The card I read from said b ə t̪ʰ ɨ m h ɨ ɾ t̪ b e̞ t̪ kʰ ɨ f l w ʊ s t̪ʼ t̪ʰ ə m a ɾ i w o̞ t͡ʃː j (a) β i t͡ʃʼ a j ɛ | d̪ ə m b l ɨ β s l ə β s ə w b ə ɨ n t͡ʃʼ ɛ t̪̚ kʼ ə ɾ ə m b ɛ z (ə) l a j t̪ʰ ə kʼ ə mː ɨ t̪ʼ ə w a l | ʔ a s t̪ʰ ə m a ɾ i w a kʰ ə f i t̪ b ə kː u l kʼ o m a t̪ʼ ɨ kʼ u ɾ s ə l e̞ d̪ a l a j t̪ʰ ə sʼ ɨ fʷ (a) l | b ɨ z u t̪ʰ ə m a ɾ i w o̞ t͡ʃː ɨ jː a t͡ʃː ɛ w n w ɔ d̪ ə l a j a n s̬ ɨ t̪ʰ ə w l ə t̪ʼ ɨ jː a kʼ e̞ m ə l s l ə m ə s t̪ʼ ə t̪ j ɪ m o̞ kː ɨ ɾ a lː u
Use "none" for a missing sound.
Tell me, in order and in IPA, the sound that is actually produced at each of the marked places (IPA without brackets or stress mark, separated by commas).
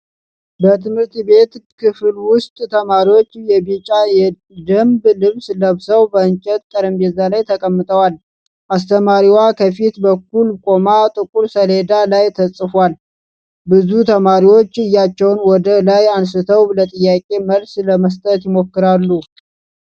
ɛ, a, a